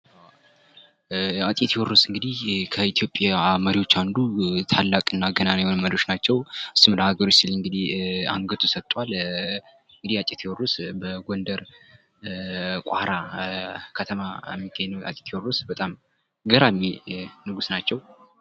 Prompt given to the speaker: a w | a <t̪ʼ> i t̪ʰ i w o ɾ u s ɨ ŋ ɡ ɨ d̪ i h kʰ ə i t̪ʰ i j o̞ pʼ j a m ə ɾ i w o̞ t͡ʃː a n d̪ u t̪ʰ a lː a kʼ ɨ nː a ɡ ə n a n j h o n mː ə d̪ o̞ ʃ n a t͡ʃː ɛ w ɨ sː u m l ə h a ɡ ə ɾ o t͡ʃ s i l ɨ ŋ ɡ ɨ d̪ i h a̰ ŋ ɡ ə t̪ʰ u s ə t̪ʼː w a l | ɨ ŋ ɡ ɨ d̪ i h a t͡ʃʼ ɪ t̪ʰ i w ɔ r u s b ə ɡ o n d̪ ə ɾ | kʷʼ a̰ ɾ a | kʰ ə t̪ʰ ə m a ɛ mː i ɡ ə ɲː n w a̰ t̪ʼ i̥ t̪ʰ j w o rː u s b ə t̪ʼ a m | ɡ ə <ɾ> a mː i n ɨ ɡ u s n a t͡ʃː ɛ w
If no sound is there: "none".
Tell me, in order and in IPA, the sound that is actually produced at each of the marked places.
t̪ʼ, ɾ

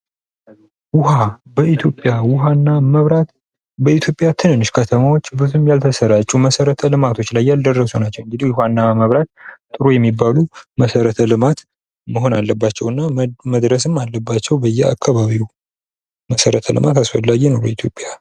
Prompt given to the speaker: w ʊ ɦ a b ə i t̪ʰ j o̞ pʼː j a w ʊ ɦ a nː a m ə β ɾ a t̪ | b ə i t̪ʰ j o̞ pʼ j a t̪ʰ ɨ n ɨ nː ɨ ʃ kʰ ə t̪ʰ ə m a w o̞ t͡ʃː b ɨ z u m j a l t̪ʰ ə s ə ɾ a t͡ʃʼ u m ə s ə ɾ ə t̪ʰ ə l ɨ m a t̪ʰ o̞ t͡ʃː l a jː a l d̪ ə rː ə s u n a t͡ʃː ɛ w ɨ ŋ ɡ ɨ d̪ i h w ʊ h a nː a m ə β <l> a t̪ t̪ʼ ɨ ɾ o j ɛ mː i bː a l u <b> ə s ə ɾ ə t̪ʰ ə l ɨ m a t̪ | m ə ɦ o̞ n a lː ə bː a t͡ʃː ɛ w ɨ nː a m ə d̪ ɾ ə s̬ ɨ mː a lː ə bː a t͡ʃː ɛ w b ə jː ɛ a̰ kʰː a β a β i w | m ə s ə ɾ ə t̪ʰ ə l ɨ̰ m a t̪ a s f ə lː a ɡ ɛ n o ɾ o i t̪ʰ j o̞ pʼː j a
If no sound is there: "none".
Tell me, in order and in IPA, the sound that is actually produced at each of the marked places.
ɾ, m

